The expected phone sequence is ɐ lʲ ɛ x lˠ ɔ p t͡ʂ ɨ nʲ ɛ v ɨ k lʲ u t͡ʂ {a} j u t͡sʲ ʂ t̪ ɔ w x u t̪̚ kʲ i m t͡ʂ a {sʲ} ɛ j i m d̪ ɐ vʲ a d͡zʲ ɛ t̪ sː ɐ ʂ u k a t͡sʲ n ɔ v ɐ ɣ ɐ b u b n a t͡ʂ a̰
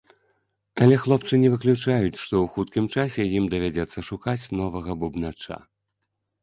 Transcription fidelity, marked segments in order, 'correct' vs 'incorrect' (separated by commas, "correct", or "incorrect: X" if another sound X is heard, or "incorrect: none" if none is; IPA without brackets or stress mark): correct, correct